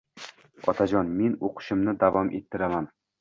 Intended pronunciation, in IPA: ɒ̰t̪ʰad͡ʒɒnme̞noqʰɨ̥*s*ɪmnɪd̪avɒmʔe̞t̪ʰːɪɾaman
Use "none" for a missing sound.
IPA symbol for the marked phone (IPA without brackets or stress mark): ʃ